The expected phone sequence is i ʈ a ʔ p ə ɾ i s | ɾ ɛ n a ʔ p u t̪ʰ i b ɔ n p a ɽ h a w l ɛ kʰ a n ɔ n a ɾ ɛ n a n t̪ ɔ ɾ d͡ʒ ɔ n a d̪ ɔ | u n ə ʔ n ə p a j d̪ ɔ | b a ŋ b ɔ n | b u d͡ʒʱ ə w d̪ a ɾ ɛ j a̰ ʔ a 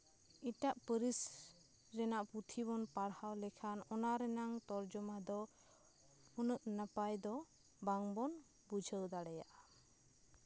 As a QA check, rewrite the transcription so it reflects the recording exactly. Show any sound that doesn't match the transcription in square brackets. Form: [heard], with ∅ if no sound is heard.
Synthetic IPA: i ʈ a ʔ p ə ɾ i s | ɾ ɛ n a ʔ p u t̪ʰ i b ɔ n p a ɽ h a w l ɛ kʰ a n ɔ n a ɾ ɛ n a [ŋ] t̪ ɔ ɾ d͡ʒ ɔ [m] a d̪ ɔ | u n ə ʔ n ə p a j d̪ ɔ | b a ŋ b ɔ n | b u d͡ʒʱ ə w d̪ a [ɽ] ɛ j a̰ ʔ a